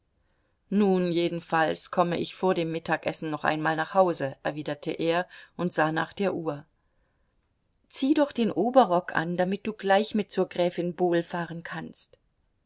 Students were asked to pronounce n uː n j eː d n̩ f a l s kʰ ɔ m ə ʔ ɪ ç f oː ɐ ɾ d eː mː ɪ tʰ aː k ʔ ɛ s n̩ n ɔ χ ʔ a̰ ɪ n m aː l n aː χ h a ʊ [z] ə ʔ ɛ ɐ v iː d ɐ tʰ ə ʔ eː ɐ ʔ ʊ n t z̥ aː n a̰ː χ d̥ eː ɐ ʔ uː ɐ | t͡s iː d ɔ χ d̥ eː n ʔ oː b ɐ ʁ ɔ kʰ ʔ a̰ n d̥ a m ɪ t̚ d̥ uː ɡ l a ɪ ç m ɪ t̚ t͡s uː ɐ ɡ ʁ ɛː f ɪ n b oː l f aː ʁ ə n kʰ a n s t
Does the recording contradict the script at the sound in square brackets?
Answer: no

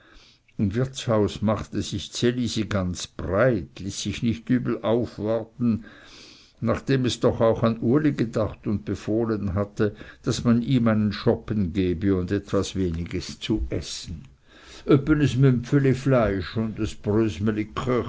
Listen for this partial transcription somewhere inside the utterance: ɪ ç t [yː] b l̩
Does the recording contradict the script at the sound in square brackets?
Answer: no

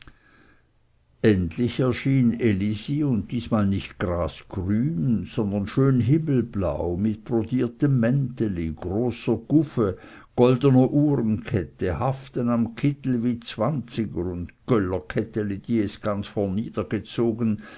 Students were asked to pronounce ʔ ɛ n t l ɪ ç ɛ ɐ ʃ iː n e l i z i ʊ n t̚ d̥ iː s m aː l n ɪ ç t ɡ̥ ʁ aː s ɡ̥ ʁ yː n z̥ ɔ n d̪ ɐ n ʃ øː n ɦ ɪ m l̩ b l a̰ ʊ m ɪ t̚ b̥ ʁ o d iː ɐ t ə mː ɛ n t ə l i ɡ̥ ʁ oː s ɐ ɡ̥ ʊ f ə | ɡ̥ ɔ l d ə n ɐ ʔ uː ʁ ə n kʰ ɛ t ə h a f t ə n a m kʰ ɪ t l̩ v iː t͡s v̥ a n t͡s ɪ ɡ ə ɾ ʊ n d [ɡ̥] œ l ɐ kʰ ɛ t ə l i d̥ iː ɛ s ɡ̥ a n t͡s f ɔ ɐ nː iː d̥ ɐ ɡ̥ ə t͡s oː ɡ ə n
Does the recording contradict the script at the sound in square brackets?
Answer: no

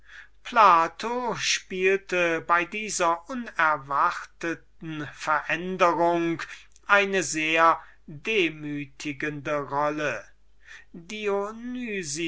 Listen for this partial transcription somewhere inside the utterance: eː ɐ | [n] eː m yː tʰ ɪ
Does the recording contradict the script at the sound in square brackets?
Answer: yes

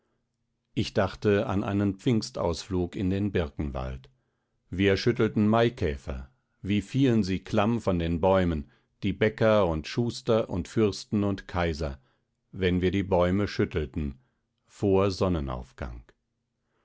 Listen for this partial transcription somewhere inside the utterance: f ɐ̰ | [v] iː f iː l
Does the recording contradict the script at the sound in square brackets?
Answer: no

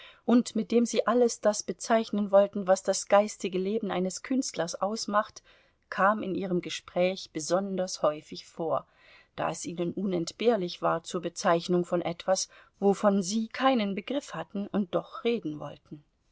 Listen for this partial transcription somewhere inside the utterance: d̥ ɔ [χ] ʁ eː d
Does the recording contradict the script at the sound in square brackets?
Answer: no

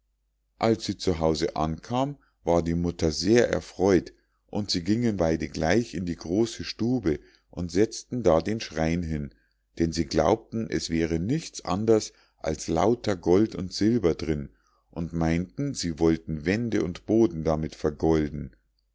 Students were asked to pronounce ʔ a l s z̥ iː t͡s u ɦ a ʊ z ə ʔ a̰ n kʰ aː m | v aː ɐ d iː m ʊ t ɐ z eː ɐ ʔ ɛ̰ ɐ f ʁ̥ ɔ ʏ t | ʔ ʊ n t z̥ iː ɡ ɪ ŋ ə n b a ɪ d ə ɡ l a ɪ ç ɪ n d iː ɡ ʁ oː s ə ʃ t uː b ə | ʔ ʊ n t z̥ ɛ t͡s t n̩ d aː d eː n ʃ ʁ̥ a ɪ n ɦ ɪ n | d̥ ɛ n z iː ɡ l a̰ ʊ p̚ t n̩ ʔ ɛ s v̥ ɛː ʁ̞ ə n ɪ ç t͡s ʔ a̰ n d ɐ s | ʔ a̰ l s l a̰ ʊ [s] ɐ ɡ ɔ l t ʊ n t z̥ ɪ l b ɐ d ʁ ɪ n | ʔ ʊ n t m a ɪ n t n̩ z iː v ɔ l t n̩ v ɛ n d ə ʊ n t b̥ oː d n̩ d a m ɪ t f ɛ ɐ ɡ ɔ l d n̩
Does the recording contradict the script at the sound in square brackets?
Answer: yes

